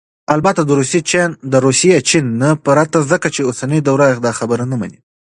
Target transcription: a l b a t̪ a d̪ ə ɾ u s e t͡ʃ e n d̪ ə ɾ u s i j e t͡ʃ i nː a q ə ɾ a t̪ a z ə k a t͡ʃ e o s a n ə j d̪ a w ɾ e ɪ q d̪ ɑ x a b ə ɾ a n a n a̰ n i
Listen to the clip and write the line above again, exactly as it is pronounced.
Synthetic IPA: a l b a t̪ a d̪ ə ɾ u s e t͡ʃ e n d̪ ə ɾ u s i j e t͡ʃ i nː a p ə ɾ a t̪ a z ə k a t͡ʃ e o s a n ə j d̪ a w ɾ a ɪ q d̪ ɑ x a b ə ɾ a n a m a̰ n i